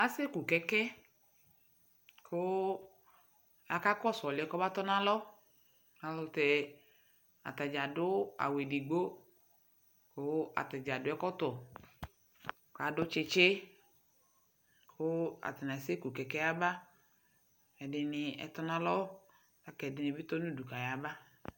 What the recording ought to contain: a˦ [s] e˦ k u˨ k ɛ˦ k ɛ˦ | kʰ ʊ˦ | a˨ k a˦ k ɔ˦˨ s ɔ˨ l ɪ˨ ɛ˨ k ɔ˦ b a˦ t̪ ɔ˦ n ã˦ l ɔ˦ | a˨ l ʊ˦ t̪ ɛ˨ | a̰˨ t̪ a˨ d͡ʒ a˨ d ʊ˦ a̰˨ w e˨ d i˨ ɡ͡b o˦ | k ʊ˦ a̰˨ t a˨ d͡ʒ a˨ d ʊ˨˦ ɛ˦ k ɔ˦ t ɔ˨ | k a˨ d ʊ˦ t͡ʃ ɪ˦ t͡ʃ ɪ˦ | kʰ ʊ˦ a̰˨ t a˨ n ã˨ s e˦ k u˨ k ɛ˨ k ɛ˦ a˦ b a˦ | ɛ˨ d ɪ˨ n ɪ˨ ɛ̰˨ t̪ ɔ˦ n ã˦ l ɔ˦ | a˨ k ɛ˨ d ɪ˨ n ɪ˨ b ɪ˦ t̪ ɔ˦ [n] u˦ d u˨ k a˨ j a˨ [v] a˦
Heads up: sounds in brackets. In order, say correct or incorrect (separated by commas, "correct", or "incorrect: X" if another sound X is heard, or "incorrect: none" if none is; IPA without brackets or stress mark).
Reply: correct, correct, incorrect: b